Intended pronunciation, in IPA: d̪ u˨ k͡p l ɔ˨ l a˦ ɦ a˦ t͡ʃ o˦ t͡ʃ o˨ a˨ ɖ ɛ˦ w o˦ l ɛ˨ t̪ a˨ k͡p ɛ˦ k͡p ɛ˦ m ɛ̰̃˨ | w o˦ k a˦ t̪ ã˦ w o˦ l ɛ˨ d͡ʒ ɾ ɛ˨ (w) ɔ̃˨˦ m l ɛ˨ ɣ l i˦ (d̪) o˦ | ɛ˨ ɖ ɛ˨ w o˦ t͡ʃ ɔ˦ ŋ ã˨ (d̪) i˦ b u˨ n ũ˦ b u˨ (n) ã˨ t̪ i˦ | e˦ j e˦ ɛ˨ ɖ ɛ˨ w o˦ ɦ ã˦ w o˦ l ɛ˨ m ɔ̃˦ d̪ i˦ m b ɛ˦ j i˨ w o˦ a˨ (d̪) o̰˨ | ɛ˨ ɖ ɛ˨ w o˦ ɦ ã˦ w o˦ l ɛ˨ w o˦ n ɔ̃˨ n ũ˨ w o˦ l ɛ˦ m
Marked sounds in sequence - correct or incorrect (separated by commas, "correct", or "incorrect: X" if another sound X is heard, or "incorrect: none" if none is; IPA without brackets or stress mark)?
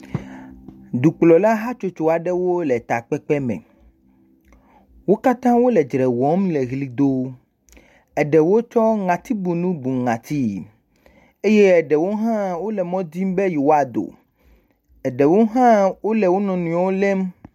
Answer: correct, correct, incorrect: t̪, incorrect: ŋ, correct